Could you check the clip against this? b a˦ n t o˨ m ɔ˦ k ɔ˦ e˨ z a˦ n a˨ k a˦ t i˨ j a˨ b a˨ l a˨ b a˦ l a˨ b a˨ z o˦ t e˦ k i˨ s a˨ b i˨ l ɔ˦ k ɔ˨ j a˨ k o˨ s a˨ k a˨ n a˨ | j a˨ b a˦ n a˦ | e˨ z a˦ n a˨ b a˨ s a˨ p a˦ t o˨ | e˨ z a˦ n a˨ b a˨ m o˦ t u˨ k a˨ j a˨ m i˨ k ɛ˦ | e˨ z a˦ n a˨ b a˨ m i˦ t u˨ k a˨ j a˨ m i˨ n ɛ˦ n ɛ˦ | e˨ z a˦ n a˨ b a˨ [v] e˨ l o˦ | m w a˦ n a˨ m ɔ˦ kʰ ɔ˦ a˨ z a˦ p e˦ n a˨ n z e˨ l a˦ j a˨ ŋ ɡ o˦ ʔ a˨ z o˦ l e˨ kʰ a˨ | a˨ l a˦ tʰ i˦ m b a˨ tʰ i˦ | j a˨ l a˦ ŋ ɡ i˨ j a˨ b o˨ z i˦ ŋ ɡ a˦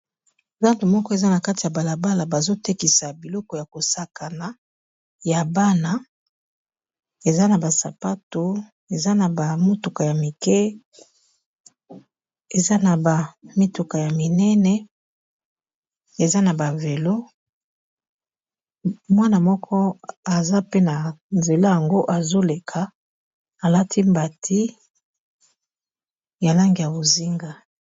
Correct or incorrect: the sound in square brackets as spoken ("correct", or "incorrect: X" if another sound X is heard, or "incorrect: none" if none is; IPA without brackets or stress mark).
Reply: correct